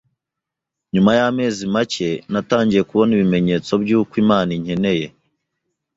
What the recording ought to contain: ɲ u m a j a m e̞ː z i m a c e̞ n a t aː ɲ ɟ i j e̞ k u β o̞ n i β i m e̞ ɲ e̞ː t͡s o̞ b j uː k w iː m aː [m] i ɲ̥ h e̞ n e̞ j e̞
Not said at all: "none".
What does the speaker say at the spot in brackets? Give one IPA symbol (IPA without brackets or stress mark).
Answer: n